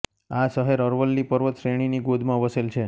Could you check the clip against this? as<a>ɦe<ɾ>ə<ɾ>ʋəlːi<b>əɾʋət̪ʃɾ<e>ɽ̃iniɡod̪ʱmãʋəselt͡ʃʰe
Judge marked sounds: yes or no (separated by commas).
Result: no, yes, yes, no, yes